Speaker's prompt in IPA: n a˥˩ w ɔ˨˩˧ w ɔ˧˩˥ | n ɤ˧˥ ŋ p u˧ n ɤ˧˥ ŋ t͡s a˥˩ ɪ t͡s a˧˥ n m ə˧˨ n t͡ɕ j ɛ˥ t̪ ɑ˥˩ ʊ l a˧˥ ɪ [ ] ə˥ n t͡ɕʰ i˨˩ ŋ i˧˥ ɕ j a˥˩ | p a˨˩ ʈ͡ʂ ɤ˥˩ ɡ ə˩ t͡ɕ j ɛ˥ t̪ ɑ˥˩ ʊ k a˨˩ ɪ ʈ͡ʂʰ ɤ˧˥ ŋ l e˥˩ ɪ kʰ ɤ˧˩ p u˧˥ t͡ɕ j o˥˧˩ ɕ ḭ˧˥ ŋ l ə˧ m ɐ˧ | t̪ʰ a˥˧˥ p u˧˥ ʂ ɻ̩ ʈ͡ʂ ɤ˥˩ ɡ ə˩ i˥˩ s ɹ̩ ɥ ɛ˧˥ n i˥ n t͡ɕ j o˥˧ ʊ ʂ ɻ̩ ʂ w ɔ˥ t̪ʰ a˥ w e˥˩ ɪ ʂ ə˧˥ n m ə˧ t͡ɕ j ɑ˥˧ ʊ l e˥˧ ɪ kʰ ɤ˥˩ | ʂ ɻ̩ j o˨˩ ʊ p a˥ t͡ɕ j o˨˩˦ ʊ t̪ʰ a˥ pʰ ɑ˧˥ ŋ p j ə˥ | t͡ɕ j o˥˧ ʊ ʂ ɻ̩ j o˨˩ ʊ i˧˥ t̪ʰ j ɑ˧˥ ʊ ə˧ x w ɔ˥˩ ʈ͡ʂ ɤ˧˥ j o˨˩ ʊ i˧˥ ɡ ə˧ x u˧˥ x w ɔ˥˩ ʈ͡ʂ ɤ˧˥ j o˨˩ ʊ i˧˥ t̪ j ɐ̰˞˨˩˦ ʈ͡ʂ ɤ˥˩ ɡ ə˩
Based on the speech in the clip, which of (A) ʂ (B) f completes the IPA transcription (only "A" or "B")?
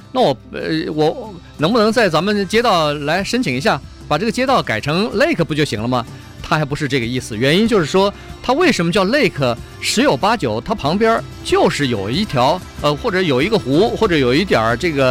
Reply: A